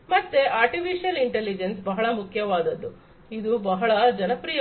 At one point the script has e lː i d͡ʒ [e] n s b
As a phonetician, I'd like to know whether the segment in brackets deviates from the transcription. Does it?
no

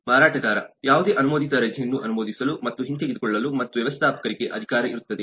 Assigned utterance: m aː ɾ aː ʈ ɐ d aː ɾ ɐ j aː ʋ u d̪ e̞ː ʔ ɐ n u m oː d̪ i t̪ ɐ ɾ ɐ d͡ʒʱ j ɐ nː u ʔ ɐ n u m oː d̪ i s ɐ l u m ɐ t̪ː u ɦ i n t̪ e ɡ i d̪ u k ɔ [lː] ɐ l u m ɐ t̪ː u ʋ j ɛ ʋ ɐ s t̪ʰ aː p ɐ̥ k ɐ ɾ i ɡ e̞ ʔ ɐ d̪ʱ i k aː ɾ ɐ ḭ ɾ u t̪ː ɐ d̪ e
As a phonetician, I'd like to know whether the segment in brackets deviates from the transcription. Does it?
yes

